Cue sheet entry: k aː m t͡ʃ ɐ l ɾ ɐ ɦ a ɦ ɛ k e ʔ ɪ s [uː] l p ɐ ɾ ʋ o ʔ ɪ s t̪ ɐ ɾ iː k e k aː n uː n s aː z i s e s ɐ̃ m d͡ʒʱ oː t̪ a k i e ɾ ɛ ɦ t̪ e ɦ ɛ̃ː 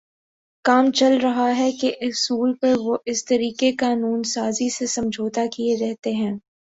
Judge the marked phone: correct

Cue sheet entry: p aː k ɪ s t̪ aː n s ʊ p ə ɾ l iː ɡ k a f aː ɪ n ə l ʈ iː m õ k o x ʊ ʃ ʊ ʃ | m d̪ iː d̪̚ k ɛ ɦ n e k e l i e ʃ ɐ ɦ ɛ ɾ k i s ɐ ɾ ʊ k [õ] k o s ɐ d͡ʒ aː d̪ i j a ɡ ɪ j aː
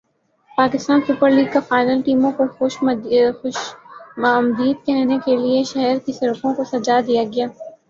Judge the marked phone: correct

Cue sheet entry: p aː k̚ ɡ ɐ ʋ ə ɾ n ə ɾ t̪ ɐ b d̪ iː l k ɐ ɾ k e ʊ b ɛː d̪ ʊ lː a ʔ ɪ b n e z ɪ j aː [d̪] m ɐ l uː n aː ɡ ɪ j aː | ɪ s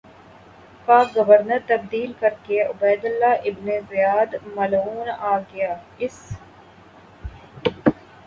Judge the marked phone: correct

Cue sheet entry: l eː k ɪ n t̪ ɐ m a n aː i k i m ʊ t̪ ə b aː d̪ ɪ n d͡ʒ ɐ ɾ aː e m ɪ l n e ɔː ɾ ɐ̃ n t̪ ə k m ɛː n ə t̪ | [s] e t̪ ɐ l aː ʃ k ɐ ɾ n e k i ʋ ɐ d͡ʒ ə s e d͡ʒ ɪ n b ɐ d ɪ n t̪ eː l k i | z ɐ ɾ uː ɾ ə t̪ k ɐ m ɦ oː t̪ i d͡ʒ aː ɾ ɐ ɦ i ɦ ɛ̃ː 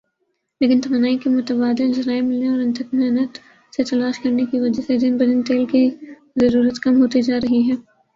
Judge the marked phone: correct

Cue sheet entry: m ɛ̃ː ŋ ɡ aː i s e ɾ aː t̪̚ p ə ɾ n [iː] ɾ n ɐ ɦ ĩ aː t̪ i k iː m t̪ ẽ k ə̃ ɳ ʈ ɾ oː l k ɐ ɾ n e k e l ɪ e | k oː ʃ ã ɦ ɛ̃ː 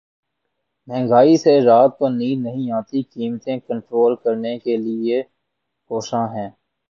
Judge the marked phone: correct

